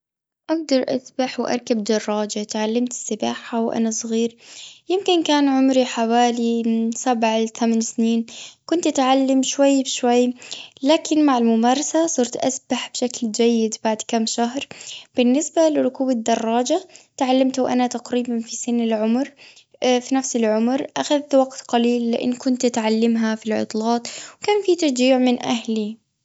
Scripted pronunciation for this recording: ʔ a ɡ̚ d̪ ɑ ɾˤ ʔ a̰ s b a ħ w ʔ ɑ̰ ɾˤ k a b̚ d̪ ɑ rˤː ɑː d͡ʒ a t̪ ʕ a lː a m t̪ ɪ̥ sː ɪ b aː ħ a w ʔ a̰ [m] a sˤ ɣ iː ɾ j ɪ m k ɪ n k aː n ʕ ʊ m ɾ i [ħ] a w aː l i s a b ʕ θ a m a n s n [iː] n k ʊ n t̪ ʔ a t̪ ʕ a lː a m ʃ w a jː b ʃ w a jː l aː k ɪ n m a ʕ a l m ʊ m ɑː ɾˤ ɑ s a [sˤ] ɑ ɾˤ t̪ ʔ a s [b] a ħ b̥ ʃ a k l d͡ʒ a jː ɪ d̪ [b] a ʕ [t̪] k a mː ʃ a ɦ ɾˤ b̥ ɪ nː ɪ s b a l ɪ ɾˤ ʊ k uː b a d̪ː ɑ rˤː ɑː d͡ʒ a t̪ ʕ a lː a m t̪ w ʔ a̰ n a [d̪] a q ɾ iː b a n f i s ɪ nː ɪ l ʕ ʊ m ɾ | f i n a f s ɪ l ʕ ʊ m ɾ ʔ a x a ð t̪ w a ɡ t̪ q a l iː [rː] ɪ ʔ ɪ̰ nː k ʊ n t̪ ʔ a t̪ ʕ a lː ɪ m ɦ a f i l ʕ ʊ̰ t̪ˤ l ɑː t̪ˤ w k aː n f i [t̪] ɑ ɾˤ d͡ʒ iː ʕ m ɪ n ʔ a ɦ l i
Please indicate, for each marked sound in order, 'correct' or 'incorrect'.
incorrect: n, correct, correct, correct, correct, correct, incorrect: d̪, incorrect: t̪, incorrect: lː, correct

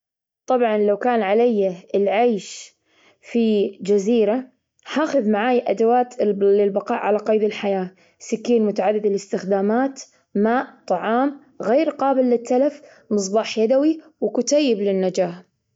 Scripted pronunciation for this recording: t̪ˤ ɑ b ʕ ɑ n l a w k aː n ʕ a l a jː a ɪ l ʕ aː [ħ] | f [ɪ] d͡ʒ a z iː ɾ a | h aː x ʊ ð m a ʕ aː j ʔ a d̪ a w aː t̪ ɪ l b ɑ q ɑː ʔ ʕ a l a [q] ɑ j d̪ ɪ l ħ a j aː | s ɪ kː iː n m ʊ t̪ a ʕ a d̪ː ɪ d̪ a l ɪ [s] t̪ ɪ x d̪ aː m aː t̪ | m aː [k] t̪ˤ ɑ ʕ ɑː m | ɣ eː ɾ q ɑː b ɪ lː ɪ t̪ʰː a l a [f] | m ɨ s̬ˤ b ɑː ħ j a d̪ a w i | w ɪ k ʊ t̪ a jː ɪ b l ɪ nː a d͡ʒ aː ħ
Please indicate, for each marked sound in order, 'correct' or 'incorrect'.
incorrect: ʃ, incorrect: i, correct, correct, incorrect: ʔ, correct

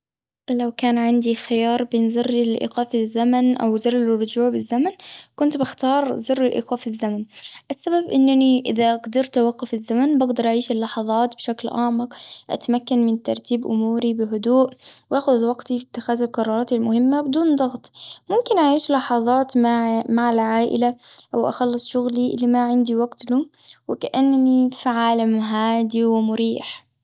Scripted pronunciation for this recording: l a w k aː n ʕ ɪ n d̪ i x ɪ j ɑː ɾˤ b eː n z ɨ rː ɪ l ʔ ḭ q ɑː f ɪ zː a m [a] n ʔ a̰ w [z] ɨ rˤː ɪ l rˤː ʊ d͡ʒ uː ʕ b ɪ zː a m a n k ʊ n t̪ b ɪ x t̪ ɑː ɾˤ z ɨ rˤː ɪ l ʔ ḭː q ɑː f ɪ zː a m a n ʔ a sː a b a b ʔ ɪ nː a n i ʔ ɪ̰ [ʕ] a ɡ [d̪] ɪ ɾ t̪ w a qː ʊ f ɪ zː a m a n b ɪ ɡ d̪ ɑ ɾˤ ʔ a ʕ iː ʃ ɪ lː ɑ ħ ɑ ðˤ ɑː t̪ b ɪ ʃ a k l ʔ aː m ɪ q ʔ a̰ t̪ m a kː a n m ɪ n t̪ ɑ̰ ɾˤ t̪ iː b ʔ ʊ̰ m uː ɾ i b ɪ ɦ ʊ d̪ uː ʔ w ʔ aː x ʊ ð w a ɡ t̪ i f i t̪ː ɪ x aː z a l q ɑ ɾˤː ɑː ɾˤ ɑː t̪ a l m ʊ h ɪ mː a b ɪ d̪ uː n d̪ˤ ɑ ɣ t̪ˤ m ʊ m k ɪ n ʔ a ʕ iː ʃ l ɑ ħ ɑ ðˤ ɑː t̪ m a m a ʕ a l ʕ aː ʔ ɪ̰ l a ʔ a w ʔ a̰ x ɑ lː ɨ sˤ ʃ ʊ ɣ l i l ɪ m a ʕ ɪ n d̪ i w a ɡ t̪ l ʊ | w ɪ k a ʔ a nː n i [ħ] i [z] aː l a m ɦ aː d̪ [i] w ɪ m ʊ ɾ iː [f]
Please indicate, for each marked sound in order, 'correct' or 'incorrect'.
correct, correct, incorrect: ð, correct, incorrect: f, incorrect: ʕ, correct, incorrect: ħ

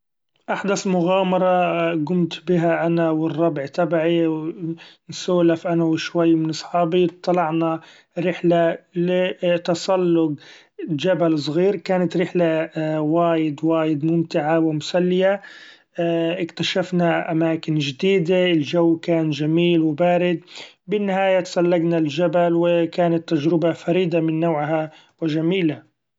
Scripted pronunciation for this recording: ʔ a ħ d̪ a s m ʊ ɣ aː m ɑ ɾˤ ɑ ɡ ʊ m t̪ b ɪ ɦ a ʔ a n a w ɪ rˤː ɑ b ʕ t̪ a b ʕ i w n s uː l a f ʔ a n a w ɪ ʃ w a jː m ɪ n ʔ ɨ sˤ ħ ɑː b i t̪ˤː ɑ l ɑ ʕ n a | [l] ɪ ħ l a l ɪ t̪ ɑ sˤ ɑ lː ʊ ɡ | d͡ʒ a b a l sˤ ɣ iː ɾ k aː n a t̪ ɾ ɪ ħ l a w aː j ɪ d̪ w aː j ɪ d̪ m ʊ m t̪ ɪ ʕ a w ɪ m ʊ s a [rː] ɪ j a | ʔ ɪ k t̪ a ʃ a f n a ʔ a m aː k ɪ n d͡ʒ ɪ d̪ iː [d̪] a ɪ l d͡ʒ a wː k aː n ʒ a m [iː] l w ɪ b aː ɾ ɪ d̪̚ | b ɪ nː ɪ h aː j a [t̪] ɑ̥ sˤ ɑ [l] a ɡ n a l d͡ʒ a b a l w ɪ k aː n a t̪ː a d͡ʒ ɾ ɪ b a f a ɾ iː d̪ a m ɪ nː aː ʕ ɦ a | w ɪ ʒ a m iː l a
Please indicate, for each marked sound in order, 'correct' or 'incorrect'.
incorrect: ɾ, incorrect: lː, correct, correct, correct, incorrect: lː

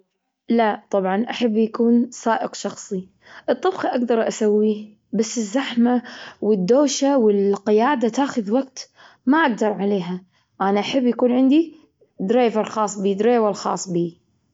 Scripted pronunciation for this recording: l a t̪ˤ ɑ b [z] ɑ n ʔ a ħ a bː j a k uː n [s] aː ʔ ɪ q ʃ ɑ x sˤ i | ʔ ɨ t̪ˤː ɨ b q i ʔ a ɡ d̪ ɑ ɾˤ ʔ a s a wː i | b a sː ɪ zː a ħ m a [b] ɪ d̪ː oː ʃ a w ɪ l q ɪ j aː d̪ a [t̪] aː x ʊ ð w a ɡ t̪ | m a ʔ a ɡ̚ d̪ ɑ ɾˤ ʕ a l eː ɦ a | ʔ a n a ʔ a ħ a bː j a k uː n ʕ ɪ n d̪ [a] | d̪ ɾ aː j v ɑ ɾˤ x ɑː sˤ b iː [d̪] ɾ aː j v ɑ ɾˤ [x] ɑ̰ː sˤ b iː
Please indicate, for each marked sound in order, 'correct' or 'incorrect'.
incorrect: ʕ, correct, incorrect: w, correct, incorrect: i, correct, correct

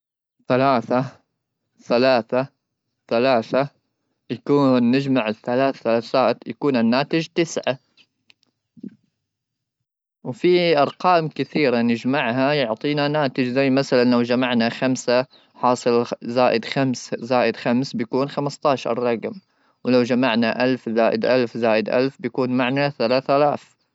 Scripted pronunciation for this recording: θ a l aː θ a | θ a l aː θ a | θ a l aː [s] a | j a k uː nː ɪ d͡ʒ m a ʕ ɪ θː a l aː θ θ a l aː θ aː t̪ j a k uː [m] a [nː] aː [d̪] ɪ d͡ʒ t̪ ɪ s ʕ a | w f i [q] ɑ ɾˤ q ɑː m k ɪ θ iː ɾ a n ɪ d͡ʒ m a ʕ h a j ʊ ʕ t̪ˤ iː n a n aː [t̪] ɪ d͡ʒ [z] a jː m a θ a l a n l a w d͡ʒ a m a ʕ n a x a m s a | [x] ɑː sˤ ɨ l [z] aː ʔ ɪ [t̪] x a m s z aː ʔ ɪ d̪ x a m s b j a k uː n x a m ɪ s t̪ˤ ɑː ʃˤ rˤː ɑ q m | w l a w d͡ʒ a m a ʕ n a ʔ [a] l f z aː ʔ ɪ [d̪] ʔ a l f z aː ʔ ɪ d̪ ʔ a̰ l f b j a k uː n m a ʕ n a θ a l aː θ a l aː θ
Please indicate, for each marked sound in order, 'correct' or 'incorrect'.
incorrect: θ, incorrect: n, correct, incorrect: t̪, incorrect: ʔ, correct, correct, incorrect: ħ, correct, incorrect: d̪, correct, correct

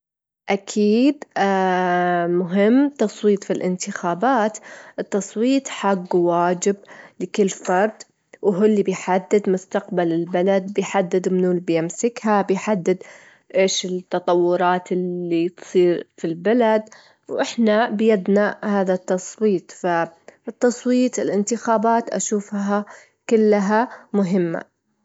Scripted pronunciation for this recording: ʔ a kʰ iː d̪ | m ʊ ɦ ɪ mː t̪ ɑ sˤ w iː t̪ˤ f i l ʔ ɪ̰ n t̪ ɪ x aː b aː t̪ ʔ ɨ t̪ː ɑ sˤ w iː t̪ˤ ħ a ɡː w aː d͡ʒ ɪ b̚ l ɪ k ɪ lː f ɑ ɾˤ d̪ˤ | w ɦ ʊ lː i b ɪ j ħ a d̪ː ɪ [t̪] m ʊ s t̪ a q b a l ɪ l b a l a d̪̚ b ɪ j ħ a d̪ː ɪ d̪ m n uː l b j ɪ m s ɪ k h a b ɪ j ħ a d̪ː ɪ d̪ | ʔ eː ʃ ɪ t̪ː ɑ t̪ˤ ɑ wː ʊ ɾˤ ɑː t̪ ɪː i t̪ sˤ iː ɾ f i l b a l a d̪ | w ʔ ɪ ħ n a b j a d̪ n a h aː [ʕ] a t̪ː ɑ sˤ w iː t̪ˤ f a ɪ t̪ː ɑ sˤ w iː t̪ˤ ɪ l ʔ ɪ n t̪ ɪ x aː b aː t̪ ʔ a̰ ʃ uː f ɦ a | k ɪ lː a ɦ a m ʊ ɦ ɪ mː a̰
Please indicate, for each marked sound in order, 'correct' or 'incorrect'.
incorrect: d̪, incorrect: ð

